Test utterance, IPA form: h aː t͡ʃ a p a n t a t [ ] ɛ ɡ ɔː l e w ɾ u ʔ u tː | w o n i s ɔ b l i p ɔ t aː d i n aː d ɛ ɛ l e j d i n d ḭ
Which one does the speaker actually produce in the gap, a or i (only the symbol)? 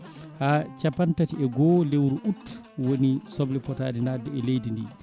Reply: i